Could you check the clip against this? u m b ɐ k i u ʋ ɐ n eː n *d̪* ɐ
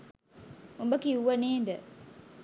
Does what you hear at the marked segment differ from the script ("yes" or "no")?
no